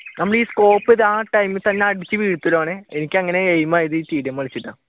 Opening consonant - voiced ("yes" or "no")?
yes